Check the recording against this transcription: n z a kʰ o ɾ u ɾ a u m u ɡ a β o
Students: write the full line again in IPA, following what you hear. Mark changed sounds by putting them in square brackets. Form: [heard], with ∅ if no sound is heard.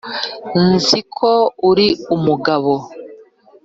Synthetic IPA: n z [i] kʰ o [∅] u ɾ [i] u m u ɡ a β o